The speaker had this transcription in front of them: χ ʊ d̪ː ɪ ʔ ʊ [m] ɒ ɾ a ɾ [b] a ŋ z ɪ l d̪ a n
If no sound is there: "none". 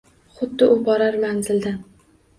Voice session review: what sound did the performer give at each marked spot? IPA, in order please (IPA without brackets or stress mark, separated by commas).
b, m